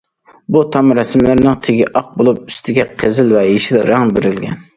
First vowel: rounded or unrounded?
rounded